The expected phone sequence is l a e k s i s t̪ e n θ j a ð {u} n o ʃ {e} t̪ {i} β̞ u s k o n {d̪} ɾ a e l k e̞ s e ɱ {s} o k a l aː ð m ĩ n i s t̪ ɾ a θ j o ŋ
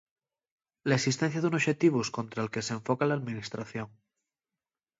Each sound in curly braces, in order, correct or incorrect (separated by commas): correct, correct, correct, incorrect, incorrect